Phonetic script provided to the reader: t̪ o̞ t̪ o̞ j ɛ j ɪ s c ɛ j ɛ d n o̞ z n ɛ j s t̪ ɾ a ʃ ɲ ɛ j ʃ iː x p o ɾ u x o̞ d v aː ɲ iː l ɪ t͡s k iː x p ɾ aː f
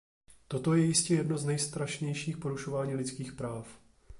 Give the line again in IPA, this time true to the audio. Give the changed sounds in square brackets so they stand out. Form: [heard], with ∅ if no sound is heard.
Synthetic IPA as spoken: t̪ o̞ t̪ o̞ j ɛ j ɪ s c ɛ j ɛ d n o̞ z n ɛ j s t̪ ɾ a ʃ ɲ ɛ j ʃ iː x p o ɾ u [ʃ] o̞ [∅] v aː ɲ iː l ɪ t͡s k iː x p ɾ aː f